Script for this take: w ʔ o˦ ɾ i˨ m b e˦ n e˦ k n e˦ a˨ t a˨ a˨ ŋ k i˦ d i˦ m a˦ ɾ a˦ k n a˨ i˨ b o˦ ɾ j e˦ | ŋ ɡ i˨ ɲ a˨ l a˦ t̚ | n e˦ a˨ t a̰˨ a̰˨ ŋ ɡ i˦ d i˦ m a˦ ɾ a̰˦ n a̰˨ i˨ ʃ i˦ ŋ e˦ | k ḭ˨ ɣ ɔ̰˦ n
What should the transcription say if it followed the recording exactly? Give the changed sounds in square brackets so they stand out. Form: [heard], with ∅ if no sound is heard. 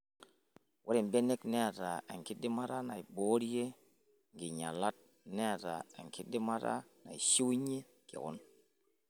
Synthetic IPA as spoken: w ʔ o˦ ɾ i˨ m b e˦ n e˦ k n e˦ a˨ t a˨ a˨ ŋ k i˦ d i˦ m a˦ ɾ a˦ [∅] n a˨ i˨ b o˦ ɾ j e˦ | ŋ ɡ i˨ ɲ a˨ l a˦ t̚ | n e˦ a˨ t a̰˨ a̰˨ ŋ [k] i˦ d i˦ m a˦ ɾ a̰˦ n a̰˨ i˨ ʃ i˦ [ɲ] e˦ | k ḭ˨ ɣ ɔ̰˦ n